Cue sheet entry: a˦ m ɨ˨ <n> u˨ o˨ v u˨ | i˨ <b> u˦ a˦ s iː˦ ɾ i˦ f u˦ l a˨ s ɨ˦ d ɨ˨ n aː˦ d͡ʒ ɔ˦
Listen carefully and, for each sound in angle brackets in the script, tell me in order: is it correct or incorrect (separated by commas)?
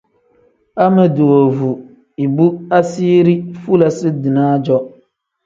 incorrect, correct